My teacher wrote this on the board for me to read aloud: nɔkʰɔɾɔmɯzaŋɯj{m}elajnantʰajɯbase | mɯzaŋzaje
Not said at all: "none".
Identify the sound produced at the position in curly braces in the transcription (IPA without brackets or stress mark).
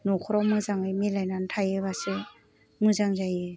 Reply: m